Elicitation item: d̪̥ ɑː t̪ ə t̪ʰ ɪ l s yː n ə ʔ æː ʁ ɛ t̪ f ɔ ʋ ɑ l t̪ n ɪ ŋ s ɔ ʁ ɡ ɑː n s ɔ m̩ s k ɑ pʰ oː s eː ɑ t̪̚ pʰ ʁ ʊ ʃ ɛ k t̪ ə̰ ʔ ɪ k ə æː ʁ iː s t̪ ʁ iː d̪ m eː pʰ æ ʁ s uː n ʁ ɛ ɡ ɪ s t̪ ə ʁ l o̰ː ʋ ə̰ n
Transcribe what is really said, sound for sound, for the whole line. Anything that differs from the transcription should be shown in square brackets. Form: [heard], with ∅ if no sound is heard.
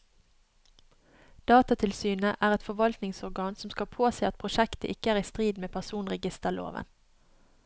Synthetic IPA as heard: d̪̥ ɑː t̪ [ɑ] t̪ʰ ɪ l s yː n ə ʔ æː ʁ ɛ t̪ f ɔ ʋ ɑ l t̪ n ɪ ŋ s ɔ ʁ ɡ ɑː n s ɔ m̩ s k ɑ pʰ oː s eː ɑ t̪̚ pʰ ʁ ʊ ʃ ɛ k t̪ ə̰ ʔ ɪ k ə æː ʁ iː s t̪ ʁ iː d̪ m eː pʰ æ ʁ s uː n ʁ ɛ ɡ ɪ s t̪ ə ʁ l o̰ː ʋ ə̰ n